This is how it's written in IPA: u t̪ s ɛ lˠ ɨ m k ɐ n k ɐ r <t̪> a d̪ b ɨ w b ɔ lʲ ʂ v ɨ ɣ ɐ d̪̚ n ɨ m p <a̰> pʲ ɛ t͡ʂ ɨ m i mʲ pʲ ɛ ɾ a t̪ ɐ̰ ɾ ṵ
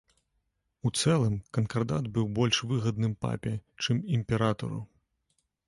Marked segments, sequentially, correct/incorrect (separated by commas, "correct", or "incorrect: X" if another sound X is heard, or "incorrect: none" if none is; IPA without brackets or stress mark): incorrect: d̪, correct